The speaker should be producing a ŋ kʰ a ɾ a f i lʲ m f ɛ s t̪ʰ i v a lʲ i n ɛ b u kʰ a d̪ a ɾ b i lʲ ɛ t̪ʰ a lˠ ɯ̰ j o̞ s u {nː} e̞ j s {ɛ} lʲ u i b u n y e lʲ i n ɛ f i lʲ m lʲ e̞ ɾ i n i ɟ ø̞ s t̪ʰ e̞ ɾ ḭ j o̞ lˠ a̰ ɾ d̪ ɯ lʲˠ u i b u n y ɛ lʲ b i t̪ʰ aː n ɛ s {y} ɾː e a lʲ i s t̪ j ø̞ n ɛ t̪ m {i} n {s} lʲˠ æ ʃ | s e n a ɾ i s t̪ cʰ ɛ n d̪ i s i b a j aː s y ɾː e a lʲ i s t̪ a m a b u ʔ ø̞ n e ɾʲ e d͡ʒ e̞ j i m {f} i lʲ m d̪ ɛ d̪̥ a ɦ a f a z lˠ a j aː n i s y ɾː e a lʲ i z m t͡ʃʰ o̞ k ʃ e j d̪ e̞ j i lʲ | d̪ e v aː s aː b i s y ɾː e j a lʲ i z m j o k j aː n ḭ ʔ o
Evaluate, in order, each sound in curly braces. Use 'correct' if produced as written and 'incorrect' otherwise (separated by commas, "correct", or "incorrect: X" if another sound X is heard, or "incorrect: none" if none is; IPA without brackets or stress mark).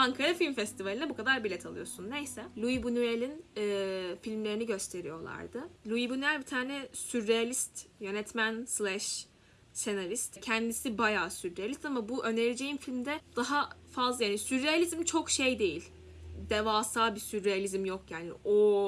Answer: correct, correct, correct, incorrect: æ, correct, correct